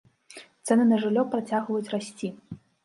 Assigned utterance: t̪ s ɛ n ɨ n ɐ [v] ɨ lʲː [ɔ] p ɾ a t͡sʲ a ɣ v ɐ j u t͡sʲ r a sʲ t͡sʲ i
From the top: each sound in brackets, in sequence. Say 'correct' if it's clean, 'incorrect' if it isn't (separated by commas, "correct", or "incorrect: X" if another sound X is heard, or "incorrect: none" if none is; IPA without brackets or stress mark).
incorrect: ʐ, correct